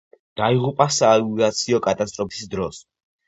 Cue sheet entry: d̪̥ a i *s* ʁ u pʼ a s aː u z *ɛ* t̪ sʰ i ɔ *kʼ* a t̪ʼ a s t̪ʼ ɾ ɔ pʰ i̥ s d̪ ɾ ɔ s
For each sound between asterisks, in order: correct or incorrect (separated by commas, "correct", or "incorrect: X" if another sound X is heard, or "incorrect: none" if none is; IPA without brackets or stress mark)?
incorrect: none, incorrect: a, correct